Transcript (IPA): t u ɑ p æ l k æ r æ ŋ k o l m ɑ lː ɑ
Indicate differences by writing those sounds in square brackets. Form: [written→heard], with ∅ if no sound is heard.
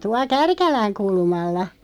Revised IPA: t u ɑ [p→k] æ [l→r] k æ [r→l] æ ŋ k [o→u] l m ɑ lː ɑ